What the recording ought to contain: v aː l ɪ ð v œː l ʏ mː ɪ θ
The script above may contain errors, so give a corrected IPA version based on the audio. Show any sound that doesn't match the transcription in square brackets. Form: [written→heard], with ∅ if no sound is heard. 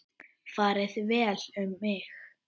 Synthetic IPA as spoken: [v→f] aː [l→ɾ] ɪ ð v [œː→ɛː] l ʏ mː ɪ [θ→x]